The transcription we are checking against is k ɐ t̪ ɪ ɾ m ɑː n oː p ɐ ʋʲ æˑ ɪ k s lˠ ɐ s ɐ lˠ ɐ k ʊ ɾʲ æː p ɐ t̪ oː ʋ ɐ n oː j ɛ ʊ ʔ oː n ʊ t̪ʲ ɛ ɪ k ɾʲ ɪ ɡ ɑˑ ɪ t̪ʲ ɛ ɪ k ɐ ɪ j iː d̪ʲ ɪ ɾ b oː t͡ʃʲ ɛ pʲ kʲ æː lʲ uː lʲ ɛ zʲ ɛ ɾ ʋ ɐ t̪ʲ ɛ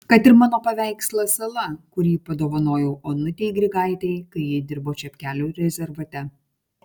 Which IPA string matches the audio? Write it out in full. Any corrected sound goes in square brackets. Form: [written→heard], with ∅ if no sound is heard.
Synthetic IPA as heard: k ɐ t̪ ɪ ɾ m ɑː n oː p ɐ ʋʲ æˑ ɪ k s lˠ ɐ s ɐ lˠ ɐ k ʊ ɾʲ [æː→iː] p ɐ [t̪→d̪] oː ʋ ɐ n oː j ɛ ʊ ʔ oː n ʊ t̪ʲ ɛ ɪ [k→ɡ] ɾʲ ɪ ɡ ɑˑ ɪ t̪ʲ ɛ ɪ k ɐ ɪ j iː d̪ʲ ɪ ɾ b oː t͡ʃʲ ɛ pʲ kʲ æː lʲ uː [lʲ→ɾʲ] ɛ zʲ ɛ ɾ ʋ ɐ t̪ʲ ɛ